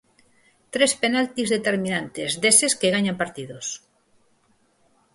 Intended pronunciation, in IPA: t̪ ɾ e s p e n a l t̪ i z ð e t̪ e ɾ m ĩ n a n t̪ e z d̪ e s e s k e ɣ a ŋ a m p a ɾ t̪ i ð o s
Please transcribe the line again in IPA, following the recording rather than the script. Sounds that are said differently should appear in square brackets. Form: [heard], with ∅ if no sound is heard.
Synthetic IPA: t̪ ɾ e s p e n a l t̪ i z ð e t̪ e ɾ m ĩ n a n t̪ e z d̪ e s e s k e ɣ a [ɲ] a m p a ɾ t̪ i ð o s